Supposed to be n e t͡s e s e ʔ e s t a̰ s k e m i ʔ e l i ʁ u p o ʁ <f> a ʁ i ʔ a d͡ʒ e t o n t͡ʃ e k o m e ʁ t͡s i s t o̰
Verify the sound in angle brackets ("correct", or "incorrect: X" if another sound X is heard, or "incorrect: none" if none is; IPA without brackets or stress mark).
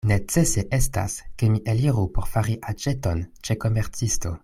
correct